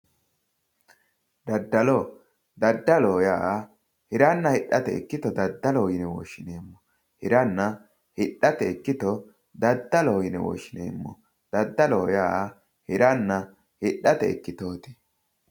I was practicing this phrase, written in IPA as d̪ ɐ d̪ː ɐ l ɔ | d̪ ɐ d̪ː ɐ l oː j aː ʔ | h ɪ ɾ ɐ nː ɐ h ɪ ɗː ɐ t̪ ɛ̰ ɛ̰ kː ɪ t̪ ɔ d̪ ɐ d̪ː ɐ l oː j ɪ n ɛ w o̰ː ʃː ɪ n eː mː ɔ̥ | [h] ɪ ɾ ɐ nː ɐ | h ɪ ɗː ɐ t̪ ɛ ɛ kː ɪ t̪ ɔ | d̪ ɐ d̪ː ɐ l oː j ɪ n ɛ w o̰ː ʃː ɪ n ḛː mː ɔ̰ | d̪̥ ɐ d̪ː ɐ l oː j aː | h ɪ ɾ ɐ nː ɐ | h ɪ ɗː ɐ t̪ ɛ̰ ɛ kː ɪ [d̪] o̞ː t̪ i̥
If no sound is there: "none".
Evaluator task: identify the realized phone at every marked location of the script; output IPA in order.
h, t̪

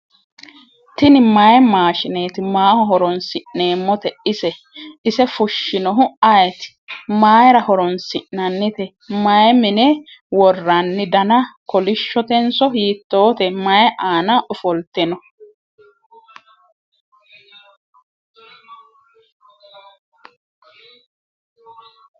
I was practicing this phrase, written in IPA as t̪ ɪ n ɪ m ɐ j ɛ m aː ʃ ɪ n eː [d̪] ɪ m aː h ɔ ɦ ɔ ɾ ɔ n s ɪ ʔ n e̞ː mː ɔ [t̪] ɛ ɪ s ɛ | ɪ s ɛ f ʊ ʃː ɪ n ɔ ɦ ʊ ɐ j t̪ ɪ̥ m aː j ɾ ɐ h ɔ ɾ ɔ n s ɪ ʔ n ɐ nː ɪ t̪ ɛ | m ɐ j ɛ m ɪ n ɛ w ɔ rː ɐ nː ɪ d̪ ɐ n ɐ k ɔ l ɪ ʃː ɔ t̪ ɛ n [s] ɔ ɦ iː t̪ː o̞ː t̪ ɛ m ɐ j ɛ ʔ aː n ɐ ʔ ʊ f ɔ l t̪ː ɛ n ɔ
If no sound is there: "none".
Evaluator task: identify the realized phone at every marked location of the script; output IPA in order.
t̪, t̪, s

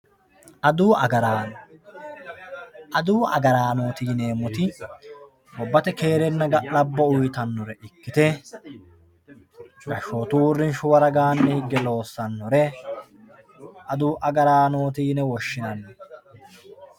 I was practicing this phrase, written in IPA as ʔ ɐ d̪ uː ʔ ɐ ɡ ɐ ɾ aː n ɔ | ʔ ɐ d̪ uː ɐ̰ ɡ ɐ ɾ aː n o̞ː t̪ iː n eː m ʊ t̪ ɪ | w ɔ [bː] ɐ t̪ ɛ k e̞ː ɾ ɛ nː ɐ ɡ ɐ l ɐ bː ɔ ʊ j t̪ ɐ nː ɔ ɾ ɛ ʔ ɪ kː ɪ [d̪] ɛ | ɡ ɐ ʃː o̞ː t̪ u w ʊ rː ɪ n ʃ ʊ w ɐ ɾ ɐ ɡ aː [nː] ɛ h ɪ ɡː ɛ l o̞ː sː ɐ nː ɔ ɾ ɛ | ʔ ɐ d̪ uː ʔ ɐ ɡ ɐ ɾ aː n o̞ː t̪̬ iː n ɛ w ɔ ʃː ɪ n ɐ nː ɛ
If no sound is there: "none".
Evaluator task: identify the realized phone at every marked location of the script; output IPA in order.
bː, t̪, nː

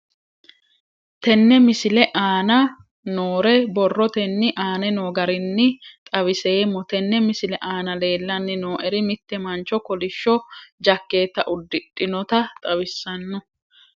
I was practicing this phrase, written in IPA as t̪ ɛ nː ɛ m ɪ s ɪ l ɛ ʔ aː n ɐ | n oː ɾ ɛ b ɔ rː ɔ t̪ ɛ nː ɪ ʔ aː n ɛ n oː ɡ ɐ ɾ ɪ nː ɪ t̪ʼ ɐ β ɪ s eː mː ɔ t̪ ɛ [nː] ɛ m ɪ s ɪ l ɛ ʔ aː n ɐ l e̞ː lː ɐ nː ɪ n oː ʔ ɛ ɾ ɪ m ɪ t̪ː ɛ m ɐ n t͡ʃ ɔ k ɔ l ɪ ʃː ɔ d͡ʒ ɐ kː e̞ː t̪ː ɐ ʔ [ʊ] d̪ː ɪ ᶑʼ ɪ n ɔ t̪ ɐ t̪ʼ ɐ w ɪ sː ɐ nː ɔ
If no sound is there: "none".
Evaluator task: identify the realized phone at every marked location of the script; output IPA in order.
nː, ʊ

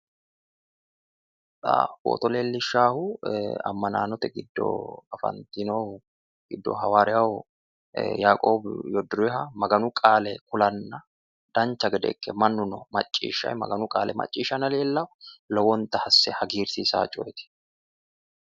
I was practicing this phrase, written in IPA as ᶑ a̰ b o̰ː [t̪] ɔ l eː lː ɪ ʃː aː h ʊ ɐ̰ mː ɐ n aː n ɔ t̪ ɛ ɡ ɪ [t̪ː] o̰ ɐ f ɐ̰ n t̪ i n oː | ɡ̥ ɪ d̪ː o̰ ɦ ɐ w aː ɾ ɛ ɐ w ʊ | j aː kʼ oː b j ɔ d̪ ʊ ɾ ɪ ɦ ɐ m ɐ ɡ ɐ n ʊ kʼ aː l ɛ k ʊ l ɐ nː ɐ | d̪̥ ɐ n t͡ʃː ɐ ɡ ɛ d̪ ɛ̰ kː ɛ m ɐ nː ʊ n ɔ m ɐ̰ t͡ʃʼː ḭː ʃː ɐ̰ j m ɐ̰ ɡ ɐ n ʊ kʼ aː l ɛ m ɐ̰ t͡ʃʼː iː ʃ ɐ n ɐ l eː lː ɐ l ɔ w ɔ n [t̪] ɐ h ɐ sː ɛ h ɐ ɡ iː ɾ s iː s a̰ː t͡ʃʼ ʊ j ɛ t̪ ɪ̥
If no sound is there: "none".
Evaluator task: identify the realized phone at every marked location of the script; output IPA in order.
t̪, d̪ː, t̪

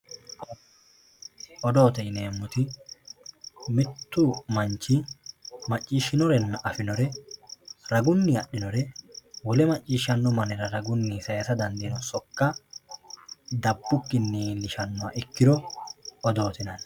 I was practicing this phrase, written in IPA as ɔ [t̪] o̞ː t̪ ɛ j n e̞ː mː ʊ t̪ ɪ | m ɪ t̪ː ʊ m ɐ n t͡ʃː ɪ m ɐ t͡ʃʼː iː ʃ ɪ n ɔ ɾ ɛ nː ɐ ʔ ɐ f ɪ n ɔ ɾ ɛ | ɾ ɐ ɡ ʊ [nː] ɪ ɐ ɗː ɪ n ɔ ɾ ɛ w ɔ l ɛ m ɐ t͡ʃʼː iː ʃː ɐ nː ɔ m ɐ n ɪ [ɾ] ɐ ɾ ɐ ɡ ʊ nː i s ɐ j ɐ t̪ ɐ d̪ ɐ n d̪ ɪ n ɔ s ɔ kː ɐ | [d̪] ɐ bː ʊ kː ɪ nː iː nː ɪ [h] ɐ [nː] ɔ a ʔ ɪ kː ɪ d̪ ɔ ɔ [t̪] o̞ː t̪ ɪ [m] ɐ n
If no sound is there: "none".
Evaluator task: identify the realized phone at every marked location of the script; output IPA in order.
d̪, nː, ɾ, d̪, ʃ, nː, d̪, n

